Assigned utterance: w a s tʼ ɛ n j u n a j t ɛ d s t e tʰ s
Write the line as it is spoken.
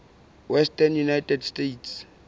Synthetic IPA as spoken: w ɛ s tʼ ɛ n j u n a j t ɛ d s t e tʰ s

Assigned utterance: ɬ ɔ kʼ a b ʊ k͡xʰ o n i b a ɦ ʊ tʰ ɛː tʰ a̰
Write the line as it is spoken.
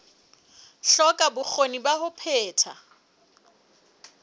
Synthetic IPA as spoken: ɬ ɔ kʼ a b ʊ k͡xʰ o n i b a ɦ ʊ pʰ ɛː tʰ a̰

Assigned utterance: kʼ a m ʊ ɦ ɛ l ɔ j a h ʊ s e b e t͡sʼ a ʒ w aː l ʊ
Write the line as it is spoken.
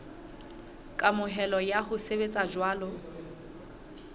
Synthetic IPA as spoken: kʼ a m ʊ ɦ ɛ l ɔ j a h ʊ s e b e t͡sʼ a d͡ʒ w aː l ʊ

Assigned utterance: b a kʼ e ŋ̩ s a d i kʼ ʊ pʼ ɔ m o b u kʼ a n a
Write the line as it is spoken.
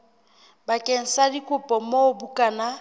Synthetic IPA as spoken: b a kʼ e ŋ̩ s a d i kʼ ʊ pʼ ɔ m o b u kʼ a n a

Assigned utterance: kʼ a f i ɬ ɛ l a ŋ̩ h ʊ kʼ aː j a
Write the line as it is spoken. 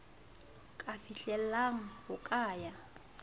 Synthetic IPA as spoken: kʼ a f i ɬ ɛ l a ŋ̩ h ʊ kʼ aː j a

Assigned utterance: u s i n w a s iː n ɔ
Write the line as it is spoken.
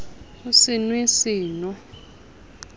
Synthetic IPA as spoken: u s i n w i s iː n ɔ

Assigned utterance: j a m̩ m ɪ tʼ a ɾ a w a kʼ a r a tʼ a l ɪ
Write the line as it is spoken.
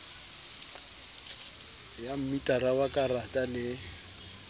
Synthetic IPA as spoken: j a m̩ m i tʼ a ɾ a w a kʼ a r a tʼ a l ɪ

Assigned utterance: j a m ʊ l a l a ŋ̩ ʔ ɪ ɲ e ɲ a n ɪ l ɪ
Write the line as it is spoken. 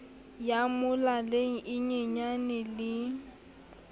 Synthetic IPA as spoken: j a m ʊ l a l e ŋ̩ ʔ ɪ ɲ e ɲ a n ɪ l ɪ

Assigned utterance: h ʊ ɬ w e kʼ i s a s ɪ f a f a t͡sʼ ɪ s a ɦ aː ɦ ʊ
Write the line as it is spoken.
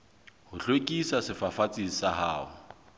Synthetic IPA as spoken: h ʊ ɬ w e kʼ i s a s ɪ f a f a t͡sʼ i s a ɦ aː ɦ ʊ

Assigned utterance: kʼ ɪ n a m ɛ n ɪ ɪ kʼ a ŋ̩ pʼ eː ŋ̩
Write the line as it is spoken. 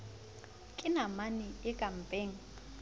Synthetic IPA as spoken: kʼ ɪ n a m a n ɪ ɪ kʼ a m̩ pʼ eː ŋ̩

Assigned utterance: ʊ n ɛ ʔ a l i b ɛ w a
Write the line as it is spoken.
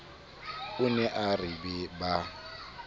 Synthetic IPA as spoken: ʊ n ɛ ʔ a r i b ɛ b a

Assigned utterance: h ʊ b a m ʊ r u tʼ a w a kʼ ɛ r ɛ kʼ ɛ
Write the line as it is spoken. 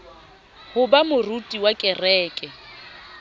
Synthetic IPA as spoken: h ʊ b a m ʊ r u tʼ i w a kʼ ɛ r ɛː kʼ ɛ

